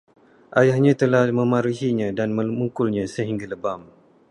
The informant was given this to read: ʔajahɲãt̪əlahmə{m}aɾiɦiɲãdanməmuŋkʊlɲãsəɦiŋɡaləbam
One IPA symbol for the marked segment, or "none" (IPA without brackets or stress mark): m